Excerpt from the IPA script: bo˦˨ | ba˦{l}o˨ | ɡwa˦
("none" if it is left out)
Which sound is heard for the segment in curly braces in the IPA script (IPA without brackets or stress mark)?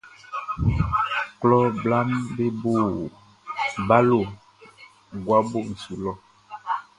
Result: l